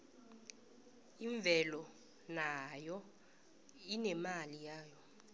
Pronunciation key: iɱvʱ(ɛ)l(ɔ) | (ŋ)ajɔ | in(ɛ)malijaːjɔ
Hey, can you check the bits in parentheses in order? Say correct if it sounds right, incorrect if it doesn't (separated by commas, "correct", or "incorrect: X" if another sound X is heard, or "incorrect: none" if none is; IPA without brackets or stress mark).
correct, correct, incorrect: n, correct